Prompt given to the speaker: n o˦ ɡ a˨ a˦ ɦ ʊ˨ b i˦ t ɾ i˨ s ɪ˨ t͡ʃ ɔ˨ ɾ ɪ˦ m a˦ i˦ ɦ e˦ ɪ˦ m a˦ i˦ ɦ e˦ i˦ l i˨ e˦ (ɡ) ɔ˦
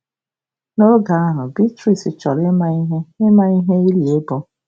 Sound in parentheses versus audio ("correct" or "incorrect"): incorrect